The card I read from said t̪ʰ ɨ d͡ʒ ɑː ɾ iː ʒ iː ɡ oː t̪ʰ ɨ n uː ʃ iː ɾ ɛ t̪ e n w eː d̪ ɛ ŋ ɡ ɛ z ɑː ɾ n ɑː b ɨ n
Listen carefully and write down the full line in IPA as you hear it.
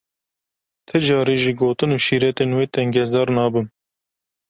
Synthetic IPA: t̪ʰ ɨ d͡ʒ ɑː ɾ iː ʒ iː ɡ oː t̪ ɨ n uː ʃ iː ɾ ɛ t̪ e n w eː t̪ ɛ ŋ ɡ ɛ z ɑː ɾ n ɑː b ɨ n